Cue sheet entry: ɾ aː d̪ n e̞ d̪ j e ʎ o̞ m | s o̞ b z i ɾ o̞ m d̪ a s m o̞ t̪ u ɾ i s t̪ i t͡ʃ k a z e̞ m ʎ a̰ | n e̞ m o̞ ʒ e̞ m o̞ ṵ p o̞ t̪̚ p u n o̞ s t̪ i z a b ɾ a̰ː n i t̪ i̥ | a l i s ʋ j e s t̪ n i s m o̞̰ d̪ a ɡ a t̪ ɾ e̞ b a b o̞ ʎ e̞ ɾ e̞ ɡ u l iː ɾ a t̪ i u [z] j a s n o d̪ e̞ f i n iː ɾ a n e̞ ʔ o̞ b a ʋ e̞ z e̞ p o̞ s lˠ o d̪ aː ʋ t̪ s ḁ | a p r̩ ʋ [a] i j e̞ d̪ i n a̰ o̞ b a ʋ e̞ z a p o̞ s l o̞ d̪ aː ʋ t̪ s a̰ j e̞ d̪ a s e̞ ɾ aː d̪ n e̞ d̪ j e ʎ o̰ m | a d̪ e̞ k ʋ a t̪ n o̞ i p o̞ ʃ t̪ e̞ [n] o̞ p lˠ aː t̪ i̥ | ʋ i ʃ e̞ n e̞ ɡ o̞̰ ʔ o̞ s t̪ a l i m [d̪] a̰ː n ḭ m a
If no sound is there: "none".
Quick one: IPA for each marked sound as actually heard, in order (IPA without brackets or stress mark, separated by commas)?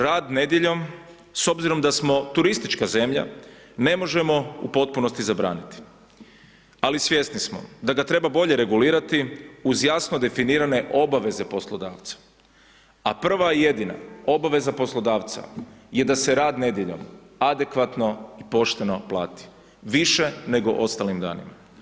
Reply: z, a, n, d̪